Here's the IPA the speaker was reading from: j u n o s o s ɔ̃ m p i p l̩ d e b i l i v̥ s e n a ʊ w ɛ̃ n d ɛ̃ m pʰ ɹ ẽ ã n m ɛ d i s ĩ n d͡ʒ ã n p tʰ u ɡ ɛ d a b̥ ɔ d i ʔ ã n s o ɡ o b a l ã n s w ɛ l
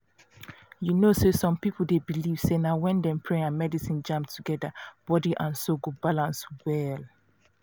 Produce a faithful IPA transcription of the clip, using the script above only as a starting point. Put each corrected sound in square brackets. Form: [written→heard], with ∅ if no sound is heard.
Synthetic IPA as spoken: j u n o s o s ɔ̃ m p i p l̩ d e b i l i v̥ s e n a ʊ w ɛ̃ n d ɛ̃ m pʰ ɹ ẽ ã n m ɛ d i s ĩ n d͡ʒ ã [n→m] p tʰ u ɡ ɛ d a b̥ ɔ d i ʔ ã n s o ɡ o b a l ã n s w ɛ l